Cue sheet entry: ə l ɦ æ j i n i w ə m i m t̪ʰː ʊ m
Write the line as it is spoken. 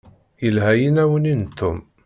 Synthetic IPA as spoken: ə l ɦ æ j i n æ w ə n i n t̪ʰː ʊ m